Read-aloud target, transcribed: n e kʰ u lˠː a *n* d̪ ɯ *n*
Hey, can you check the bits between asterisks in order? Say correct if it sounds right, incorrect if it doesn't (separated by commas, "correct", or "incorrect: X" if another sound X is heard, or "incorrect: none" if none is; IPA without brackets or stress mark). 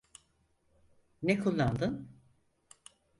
correct, correct